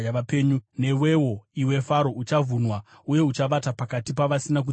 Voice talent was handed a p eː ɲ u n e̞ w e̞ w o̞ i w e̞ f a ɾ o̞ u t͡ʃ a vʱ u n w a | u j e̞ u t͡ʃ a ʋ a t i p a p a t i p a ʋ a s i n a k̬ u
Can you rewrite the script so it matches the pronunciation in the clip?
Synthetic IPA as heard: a p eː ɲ u n e̞ w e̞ w o̞ i w e̞ f a ɾ o̞ u t͡ʃ a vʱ u n w a | u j e̞ u t͡ʃ a ʋ a t a p a k a t i p a ʋ a s i n a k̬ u